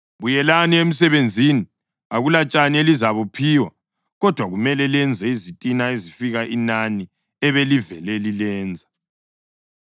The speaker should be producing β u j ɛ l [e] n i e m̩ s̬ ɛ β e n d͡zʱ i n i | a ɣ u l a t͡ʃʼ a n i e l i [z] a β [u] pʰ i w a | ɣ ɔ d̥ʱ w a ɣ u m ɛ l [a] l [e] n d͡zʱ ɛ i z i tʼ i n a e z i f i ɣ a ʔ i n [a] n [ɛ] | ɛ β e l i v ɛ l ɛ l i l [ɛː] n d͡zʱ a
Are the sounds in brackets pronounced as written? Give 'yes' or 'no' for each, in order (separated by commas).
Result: no, yes, yes, no, no, yes, no, yes